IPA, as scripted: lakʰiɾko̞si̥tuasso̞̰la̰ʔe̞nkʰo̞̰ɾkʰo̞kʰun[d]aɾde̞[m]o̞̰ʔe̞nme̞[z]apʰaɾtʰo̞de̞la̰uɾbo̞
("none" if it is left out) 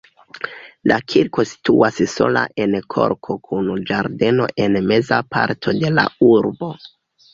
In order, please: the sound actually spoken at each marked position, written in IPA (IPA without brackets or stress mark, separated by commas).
d͡ʒ, n, z